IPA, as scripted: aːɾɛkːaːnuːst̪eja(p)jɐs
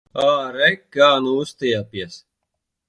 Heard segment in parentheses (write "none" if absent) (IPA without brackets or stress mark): p